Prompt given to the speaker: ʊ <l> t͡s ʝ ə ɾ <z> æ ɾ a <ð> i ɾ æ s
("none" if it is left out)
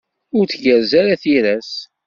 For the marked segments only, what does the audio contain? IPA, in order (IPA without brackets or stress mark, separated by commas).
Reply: ɾ, z, θ